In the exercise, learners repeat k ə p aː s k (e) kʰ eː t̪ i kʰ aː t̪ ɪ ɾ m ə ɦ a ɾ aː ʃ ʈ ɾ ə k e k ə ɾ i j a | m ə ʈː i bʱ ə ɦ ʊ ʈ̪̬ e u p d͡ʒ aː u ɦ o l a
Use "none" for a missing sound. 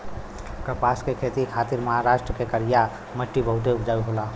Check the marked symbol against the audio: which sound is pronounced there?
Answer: e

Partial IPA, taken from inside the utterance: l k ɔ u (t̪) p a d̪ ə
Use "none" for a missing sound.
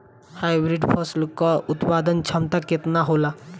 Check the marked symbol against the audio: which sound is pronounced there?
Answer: t̪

